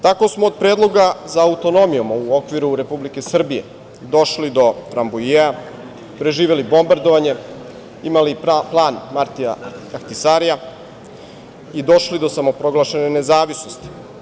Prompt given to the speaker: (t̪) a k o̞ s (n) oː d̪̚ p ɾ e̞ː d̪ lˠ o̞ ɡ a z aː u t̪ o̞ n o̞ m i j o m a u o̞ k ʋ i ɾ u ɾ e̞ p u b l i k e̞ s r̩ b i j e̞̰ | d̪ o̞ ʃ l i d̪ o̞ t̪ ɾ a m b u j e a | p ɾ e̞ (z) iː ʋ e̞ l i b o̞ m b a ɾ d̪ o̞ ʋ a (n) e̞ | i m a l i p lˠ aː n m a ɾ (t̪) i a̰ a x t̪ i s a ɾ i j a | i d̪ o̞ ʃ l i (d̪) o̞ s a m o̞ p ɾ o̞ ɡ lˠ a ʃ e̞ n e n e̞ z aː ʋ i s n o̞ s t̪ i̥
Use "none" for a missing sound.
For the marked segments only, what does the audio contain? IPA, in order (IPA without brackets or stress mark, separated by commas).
t̪, m, ʒ, ɲ, t̪, d̪